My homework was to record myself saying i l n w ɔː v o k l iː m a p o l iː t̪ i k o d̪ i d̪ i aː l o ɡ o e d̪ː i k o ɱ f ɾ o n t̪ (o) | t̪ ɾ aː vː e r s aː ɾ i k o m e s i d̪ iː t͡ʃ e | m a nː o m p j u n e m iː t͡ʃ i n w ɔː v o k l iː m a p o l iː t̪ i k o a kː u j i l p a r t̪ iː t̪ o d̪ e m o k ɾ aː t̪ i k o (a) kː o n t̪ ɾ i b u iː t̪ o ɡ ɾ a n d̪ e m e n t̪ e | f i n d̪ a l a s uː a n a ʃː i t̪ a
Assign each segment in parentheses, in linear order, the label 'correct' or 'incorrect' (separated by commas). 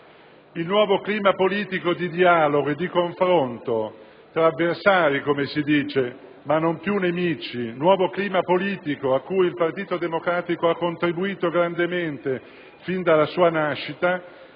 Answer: correct, correct